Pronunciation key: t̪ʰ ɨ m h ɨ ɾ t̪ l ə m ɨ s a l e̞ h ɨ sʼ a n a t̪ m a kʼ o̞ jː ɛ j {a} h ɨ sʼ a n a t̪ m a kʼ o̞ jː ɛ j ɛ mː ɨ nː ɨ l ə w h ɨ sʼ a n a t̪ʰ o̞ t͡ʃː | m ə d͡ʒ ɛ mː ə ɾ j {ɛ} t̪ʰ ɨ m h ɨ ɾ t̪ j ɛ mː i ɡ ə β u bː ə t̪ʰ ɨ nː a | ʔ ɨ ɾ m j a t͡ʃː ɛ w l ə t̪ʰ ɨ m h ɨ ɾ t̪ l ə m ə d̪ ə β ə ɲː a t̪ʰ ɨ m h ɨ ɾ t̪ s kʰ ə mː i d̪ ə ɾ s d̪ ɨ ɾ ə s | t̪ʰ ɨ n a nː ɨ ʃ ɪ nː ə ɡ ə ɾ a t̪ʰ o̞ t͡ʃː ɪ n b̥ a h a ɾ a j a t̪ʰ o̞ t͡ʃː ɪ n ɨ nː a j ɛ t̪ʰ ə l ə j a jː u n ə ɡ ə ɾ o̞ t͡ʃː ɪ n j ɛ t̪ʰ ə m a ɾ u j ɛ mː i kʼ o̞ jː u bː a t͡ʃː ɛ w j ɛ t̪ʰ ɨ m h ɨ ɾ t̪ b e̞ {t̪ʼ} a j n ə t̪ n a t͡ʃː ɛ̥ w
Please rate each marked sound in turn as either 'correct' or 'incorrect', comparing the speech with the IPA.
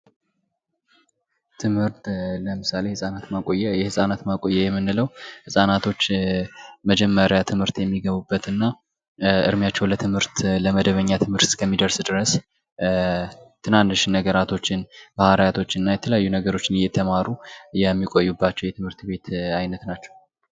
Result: incorrect: ɛ, incorrect: a, incorrect: t̪

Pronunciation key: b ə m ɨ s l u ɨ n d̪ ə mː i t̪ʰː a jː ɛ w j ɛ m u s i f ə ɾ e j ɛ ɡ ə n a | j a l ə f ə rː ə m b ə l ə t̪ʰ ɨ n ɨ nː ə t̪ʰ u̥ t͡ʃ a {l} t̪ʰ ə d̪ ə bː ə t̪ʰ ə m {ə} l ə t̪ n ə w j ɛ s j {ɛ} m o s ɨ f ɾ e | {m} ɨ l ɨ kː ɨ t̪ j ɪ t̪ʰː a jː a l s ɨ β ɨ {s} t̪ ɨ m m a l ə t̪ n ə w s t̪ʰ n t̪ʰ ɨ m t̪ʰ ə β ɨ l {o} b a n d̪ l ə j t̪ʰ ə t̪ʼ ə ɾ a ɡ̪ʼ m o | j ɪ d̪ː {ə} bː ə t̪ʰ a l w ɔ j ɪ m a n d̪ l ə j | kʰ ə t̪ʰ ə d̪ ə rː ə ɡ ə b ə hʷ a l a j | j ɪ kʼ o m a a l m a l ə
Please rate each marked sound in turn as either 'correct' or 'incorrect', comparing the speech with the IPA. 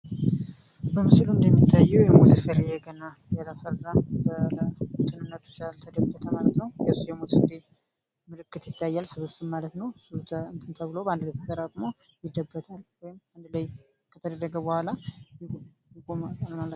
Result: correct, incorrect: a, correct, correct, correct, correct, correct

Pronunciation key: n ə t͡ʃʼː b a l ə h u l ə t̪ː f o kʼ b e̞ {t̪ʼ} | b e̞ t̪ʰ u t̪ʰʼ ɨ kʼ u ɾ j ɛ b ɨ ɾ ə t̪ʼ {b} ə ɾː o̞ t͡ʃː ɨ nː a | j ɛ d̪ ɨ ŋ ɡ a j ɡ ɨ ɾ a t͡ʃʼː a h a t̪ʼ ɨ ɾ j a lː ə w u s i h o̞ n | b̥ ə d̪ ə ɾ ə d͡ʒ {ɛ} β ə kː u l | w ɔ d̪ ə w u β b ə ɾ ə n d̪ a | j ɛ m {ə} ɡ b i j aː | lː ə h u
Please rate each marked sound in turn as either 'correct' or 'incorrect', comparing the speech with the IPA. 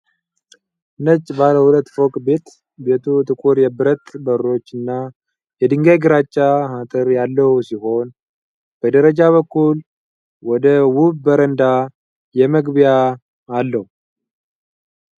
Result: incorrect: t̪, correct, incorrect: a, correct

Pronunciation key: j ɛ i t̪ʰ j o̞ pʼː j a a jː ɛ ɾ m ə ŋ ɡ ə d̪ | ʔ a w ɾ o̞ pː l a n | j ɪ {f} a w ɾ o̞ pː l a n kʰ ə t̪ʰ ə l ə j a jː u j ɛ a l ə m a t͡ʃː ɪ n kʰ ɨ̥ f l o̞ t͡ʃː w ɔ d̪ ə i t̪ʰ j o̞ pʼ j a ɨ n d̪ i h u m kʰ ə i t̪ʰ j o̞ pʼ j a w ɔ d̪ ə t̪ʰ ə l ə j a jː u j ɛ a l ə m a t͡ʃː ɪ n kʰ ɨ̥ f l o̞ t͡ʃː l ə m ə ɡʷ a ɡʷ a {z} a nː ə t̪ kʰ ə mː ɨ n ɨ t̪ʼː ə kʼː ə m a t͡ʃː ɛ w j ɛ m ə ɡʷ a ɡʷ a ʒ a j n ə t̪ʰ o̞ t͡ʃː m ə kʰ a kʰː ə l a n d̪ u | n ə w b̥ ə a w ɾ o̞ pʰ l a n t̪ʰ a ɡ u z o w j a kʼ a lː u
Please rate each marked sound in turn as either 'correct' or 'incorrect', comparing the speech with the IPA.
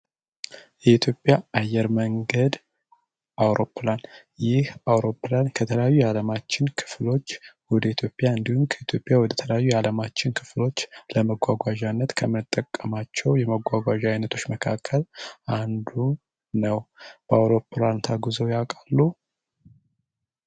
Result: incorrect: h, incorrect: ʒ

